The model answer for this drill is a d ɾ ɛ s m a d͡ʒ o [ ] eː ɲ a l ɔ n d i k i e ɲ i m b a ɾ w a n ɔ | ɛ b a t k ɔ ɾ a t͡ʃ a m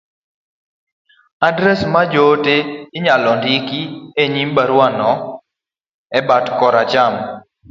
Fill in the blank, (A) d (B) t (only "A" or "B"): B